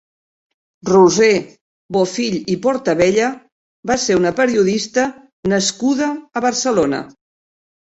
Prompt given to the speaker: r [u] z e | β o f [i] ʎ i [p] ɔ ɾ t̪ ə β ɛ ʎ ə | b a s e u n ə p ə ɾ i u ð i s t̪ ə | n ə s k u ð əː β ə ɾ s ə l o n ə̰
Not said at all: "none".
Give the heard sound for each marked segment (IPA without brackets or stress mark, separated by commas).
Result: u, i, p